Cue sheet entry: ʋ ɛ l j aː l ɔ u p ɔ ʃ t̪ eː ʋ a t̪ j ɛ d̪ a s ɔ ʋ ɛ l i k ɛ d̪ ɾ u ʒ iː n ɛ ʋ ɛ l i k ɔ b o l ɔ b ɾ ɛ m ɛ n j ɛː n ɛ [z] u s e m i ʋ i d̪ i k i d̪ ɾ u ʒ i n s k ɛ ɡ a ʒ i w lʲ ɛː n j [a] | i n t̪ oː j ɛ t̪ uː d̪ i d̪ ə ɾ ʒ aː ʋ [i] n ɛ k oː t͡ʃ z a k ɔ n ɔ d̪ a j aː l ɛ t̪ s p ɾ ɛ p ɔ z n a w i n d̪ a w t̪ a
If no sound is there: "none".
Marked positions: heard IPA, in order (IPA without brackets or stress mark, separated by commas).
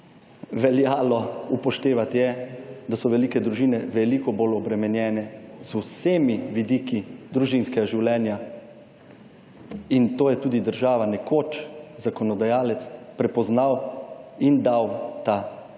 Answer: z, a, a